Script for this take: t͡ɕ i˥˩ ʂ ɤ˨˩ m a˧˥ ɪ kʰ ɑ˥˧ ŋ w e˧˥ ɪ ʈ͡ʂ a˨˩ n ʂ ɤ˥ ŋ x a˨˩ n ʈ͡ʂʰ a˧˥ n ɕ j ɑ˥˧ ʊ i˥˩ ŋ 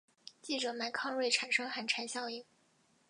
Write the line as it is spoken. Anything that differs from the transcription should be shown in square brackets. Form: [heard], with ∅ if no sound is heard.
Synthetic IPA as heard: t͡ɕ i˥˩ [ʈ͡ʂ] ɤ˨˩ m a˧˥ ɪ kʰ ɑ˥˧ ŋ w [e˥˩] ɪ [ʈ͡ʂʰ] a˨˩ n ʂ ɤ˥ ŋ x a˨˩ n ʈ͡ʂʰ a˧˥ n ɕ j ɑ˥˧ ʊ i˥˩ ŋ